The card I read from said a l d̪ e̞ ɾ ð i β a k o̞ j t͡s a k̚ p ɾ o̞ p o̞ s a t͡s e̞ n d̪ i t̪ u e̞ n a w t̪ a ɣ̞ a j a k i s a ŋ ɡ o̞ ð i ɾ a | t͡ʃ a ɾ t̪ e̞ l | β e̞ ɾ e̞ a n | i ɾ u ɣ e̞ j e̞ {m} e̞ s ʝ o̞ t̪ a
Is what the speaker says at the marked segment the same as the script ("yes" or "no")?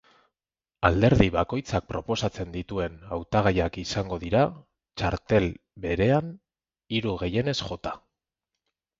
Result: no